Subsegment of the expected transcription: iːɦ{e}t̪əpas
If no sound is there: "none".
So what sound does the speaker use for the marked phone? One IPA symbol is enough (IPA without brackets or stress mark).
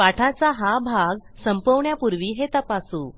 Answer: e